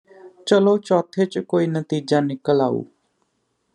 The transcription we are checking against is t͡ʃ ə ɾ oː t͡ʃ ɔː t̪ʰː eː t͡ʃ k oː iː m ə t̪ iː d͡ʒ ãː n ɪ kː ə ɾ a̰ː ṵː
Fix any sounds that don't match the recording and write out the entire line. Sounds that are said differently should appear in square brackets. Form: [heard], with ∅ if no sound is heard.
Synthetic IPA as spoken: t͡ʃ ə [l] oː t͡ʃ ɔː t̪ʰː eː t͡ʃ k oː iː [n] ə t̪ iː d͡ʒ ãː n ɪ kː ə [l] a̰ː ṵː

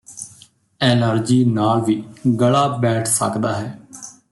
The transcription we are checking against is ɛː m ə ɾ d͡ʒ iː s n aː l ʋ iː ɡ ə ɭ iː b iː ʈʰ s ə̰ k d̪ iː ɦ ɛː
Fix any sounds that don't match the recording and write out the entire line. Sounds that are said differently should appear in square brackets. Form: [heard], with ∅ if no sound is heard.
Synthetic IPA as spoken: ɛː [n] ə ɾ d͡ʒ iː [∅] n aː l ʋ iː ɡ ə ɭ [aː] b [ɛː] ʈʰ s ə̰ k d̪ [aː] ɦ ɛː

